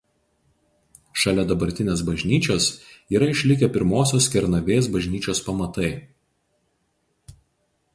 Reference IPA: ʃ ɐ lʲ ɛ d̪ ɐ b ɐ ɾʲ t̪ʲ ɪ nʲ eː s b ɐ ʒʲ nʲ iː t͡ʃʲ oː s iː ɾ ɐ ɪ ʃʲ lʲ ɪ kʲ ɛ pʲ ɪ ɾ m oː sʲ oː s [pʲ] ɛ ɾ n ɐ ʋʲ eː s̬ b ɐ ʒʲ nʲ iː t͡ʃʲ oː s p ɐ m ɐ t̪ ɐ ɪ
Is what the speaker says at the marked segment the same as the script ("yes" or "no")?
no